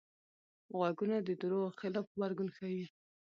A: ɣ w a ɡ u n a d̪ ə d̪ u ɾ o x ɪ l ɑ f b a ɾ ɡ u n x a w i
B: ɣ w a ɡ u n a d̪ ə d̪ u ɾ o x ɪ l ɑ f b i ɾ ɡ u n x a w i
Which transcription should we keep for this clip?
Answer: A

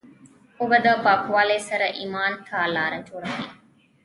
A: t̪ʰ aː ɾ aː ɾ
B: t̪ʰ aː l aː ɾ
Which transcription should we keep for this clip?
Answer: B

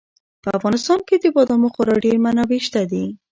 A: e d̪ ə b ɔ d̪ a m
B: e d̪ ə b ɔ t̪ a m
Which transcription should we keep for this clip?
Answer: A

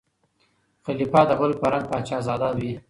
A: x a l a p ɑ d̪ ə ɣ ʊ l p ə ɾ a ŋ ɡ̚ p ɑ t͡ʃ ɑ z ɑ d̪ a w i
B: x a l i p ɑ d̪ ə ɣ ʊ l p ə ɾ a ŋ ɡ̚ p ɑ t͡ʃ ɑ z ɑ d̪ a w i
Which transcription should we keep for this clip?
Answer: B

